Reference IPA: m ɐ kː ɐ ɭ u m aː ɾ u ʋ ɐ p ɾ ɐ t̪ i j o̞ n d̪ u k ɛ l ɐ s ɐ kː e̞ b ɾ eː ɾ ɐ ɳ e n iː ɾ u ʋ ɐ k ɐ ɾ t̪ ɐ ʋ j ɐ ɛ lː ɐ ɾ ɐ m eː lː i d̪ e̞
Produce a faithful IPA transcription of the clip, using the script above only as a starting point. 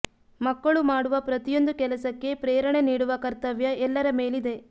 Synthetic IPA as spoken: m ɐ kː ɐ ɭ u m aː ɽ u ʋ ɐ p ɾ ɐ t̪ i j o̞ n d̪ u k ɛ l ɐ s ɐ kː e̞ p ɾ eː ɾ ɐ ɳ e n iː ɽ u ʋ ɐ k ɐ ɾ t̪ ɐ ʋ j ɐ ɛ lː ɐ ɾ ɐ m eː l i d̪ e̞

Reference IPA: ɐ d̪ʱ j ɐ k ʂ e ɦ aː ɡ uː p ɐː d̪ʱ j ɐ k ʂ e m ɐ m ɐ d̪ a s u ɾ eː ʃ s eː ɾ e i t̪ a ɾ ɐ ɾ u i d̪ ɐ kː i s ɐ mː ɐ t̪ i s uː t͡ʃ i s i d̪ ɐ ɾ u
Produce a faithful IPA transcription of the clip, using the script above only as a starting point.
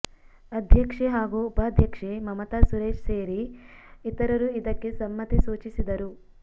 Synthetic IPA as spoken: ɐ d̪ʱ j ɐ k ʂ e ɦ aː ɡ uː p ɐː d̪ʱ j ɐ k ʂ e m ɐ m ɐ t̪ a s u ɾ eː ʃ s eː ɾ i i t̪ ɐ ɾ ɐ ɾ u i d̪ ɐ kː e s ɐ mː ɐ t̪ i s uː t͡ʃ i s i d̪ ɐ ɾ u

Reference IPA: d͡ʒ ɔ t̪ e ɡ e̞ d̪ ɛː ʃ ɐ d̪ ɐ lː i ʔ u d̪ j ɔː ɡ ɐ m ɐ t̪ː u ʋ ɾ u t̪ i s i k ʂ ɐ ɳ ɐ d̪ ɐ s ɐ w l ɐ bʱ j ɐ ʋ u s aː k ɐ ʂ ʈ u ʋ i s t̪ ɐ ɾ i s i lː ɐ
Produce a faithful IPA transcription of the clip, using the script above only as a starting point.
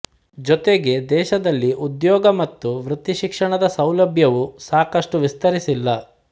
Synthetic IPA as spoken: d͡ʒ ɔ t̪ e ɡ e̞ d̪ ɛː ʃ ɐ d̪ ɐ lː i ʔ u d̪ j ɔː ɡ ɐ m ɐ t̪ː u ʋ ɾ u t̪ i ʃ i k ʂ ɐ ɳ ɐ d̪ ɐ s ɐ w l ɐ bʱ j ɐ ʋ u s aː k ɐ ʂ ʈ u ʋ i s t̪ ɐ ɾ i s i lː ɐ

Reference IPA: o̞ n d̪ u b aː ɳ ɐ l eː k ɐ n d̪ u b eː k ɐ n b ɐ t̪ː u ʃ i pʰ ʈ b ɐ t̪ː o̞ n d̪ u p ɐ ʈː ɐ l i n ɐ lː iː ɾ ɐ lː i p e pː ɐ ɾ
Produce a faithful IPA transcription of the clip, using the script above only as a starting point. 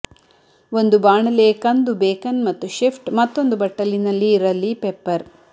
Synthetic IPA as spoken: o̞ n d̪ u b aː ɳ ɐ l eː k ɐ n d̪ u b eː k ɐ n m ɐ t̪ː u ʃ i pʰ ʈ m ɐ t̪ː o̞ n d̪ u b ɐ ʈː ɐ l i n ɐ lː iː ɾ ɐ lː i p e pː ɐ ɾ

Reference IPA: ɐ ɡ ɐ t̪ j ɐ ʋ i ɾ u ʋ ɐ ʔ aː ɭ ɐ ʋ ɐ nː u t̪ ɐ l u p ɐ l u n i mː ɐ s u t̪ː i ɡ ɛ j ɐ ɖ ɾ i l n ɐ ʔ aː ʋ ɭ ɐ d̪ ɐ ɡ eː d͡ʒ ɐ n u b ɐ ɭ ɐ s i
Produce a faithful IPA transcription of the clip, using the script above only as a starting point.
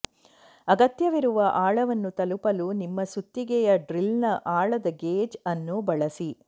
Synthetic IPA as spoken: ɐ ɡ ɐ t̪ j ɐ ʋ i ɾ u ʋ ɐ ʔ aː ɭ ɐ ʋ ɐ nː u t̪ ɐ l u p ɐ l u n i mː ɐ s u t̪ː i ɡ ɛ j ɐ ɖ ɾ i l n ɐ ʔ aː ɭ ɐ d̪ ɐ ɡ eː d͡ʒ ɐ nː u b ɐ ɭ ɐ s i

